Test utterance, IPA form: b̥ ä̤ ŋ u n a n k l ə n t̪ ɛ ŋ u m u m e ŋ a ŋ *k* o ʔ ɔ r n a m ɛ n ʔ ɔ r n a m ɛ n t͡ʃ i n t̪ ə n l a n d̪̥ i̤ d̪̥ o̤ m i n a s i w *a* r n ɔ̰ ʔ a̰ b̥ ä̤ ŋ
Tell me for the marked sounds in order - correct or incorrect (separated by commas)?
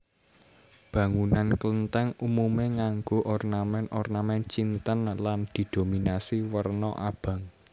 incorrect, incorrect